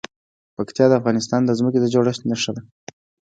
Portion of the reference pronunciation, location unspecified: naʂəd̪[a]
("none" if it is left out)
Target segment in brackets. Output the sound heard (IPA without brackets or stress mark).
a